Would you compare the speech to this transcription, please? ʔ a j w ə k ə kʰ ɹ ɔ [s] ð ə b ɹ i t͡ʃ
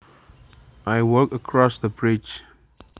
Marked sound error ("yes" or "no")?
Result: no